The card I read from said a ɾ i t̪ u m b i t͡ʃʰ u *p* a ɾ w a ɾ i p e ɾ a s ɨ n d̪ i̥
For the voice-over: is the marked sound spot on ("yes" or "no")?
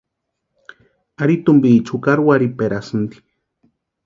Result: no